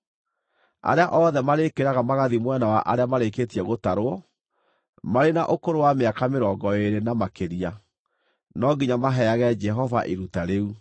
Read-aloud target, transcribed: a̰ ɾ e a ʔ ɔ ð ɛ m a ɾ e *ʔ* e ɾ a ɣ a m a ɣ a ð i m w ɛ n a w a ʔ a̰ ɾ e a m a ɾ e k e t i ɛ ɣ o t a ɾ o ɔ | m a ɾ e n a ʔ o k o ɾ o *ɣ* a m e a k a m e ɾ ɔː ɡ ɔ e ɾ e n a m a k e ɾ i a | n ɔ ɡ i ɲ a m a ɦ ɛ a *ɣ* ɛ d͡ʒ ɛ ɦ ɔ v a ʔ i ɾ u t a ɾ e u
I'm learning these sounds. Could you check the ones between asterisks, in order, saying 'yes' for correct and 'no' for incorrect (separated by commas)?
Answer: no, no, yes